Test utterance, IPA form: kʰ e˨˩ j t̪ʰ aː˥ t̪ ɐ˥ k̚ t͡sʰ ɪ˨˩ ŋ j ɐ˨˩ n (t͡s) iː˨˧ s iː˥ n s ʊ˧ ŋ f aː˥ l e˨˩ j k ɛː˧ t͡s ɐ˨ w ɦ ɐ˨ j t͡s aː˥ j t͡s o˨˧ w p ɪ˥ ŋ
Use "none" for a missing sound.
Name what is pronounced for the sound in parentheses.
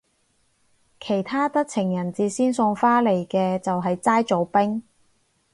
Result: t͡s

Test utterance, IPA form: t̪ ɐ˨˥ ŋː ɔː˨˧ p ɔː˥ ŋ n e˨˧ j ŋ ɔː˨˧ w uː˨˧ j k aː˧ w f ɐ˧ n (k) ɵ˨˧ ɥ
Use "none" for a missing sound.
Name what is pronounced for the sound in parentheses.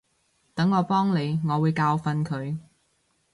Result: kʰ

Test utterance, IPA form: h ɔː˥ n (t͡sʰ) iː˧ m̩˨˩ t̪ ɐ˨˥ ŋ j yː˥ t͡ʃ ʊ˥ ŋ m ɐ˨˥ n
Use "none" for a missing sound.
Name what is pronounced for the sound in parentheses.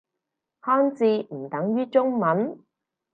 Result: t͡s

